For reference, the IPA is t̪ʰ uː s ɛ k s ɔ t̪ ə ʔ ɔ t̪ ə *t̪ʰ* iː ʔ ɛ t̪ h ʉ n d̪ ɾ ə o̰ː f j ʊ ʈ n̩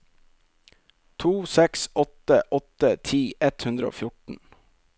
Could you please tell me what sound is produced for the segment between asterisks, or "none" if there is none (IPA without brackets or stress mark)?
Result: t̪ʰ